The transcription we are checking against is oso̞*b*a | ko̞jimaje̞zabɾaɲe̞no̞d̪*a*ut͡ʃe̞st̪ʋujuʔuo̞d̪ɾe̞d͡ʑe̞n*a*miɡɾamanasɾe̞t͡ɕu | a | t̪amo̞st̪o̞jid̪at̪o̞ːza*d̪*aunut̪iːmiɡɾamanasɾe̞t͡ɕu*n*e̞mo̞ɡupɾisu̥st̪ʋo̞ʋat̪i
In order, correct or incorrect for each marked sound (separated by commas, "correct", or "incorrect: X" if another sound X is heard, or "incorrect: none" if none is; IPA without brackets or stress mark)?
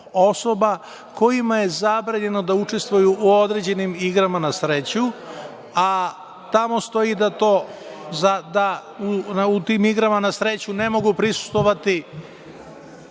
correct, correct, incorrect: i, correct, correct